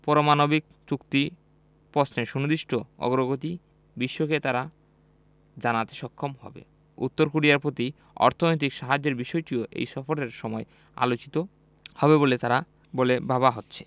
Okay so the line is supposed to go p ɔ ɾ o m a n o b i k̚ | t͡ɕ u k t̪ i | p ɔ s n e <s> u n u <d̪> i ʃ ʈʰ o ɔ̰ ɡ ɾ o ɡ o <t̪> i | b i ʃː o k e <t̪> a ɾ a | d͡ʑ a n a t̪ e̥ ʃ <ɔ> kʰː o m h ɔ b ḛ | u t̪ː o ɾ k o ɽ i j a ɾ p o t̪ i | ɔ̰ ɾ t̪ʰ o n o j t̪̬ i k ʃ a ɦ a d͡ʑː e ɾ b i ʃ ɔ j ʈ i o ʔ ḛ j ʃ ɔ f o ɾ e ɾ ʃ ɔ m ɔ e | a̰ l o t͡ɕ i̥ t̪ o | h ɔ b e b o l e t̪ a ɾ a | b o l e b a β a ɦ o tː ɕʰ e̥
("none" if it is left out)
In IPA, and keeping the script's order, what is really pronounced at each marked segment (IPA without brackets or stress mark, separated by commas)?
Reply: ʃ, d̪, t̪, t̪, ɔ